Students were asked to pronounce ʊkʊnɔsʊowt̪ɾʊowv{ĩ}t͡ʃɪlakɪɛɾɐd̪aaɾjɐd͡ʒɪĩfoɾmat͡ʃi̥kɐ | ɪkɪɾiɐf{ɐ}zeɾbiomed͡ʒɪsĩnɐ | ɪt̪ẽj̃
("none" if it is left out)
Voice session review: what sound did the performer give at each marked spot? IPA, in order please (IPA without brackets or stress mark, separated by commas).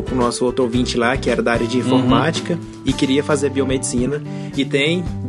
ĩ, a